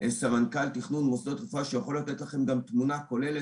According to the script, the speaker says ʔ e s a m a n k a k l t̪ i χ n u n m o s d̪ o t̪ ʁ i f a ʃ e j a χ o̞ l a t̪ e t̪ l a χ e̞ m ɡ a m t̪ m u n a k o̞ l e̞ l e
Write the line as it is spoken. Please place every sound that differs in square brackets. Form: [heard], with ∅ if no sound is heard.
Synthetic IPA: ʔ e s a m a n k a [∅] l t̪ i χ n u n m o s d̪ o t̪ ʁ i f a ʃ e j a χ o̞ l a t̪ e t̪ l a χ e̞ m ɡ a m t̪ m u n a k o̞ l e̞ l e